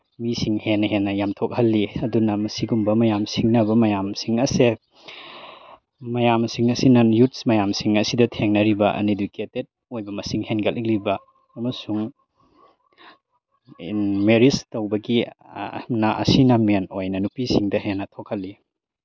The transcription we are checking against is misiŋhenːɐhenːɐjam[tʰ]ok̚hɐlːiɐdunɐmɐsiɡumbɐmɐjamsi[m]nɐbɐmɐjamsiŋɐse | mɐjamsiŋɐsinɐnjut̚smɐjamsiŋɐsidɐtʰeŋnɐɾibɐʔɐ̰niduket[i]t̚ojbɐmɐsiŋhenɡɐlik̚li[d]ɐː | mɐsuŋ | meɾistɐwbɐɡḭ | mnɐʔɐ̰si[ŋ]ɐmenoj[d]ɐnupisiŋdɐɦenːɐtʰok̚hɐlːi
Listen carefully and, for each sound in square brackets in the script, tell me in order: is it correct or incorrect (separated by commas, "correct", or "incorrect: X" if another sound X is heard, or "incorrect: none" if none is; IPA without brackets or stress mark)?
correct, incorrect: ŋ, incorrect: e, incorrect: b, incorrect: n, incorrect: n